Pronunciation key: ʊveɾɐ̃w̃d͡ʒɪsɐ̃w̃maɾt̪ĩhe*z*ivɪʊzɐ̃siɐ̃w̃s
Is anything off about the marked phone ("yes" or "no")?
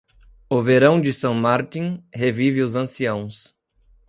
yes